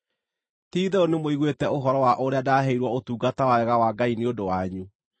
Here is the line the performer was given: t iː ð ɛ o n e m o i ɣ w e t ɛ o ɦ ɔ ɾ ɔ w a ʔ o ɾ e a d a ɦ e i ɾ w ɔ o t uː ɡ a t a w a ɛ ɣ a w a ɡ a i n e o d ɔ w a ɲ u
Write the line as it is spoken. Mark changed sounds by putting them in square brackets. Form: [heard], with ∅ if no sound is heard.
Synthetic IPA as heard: t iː ð ɛ o n e m o i ɣ w e t ɛ o ɦ ɔ ɾ ɔ w a ʔ o ɾ e a d a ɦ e i ɾ w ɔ o t uː ɡ a t a w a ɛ ɣ a w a ɡ a i n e o d [o] w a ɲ u